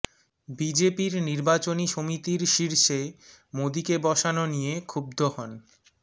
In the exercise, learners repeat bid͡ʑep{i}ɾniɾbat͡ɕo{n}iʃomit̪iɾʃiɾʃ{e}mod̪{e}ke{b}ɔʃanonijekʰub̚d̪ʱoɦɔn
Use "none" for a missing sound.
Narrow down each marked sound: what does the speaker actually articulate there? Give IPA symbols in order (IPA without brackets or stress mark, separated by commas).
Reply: i, n, e, i, b